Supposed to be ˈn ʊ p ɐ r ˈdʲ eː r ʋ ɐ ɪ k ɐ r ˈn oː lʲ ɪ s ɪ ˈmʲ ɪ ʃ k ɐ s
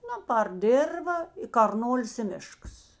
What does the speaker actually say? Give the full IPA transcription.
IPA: ˈn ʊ p ɐ r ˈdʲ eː r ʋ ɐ ɪ k ɐ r ˈn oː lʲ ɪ s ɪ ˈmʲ ɪ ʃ k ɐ s